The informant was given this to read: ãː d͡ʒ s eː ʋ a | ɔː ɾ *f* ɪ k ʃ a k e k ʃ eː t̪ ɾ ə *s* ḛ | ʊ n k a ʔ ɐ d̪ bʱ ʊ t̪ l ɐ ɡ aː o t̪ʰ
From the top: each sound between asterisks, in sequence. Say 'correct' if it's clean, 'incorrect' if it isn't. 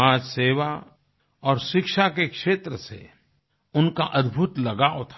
incorrect: ʃ, correct

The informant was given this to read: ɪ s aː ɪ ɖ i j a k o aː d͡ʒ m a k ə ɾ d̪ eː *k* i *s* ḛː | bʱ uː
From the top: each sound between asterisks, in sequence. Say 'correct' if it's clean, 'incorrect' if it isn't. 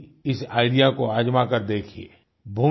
incorrect: kʰ, incorrect: none

